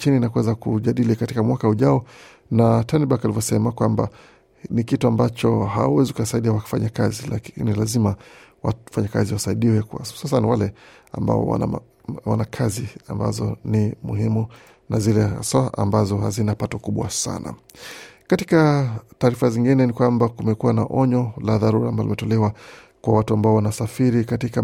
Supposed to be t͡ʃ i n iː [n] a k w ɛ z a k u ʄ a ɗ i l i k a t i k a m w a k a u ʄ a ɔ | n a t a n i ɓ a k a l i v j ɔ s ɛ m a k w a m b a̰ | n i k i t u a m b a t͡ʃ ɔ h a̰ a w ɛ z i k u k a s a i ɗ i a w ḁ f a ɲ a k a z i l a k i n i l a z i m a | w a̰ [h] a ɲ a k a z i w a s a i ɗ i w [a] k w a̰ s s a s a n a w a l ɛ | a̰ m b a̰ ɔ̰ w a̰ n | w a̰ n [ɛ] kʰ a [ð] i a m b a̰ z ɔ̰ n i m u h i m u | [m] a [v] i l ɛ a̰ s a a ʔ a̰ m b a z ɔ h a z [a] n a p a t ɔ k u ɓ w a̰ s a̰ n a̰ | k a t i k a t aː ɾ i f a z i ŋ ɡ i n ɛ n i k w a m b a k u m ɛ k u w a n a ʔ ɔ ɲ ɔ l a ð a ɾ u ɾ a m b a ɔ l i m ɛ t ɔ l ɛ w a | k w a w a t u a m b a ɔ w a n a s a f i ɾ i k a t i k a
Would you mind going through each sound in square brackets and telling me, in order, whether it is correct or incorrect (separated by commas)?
correct, incorrect, incorrect, incorrect, incorrect, incorrect, incorrect, incorrect